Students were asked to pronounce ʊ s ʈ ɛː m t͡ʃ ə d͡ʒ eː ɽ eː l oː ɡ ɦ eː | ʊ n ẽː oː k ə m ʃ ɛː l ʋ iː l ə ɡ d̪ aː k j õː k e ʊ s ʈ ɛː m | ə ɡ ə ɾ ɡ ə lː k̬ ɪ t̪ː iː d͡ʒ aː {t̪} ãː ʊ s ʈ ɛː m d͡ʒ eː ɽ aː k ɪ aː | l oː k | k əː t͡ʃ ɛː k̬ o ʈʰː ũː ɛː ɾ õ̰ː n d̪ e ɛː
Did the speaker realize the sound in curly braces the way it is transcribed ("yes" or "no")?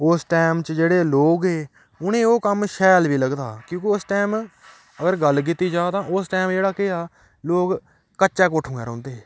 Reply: yes